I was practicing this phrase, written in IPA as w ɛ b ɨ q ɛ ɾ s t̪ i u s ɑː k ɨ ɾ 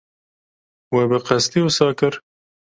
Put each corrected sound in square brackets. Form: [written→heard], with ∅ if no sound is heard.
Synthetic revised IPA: w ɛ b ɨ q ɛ [ɾ→∅] s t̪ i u s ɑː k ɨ ɾ